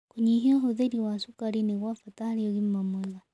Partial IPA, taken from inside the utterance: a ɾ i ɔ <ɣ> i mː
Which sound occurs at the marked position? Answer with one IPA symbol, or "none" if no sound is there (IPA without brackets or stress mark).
ɣ